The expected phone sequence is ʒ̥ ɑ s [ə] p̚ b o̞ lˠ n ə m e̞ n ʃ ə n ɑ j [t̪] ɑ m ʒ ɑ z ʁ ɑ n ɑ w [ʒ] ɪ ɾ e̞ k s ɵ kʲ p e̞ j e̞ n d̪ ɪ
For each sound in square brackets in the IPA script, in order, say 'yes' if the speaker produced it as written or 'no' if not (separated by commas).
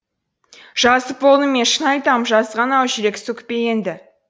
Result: yes, yes, yes